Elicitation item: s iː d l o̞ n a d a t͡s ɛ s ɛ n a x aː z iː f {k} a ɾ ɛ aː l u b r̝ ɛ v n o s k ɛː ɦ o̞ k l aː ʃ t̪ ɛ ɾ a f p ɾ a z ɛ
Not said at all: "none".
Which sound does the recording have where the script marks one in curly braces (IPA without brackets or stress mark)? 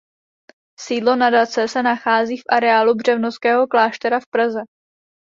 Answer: ʔ